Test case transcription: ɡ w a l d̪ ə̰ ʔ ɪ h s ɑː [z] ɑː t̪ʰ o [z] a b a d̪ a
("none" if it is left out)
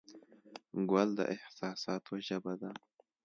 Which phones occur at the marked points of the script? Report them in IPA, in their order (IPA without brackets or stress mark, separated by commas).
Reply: s, ʒ